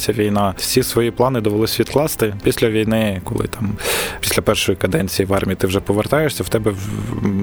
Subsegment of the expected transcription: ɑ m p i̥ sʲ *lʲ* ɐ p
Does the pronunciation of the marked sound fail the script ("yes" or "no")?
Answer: no